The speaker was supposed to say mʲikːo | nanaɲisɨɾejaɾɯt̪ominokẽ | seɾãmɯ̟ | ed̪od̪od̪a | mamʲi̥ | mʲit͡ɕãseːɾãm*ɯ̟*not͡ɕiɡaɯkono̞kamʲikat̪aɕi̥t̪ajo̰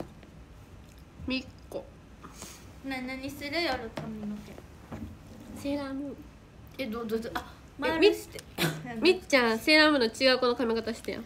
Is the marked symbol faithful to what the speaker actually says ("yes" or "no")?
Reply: yes